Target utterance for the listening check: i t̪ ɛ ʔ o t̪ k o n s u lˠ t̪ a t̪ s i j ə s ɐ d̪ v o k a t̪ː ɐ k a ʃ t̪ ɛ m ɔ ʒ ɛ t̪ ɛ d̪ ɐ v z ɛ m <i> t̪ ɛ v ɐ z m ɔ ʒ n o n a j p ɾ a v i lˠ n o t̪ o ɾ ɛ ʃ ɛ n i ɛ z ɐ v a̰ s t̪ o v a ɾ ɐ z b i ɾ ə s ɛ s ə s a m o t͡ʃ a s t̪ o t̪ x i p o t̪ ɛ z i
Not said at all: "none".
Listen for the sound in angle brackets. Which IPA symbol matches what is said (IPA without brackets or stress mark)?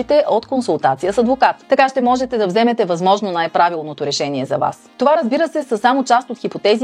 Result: ɛ